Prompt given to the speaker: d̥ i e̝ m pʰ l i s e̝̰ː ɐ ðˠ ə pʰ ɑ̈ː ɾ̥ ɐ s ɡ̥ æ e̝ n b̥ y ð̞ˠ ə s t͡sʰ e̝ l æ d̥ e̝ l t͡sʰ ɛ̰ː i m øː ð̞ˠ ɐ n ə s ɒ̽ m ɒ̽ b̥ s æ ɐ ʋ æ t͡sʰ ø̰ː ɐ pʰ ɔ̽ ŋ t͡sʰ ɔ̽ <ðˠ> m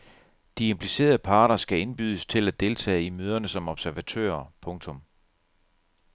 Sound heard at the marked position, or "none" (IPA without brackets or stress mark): none